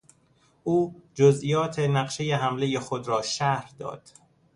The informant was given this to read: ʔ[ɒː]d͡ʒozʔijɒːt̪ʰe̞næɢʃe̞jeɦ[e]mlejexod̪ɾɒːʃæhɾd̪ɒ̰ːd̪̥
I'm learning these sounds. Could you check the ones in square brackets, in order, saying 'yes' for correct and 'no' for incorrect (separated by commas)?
no, no